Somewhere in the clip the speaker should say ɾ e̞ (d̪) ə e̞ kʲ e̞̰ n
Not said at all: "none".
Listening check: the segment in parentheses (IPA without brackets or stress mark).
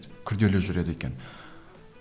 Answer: d̪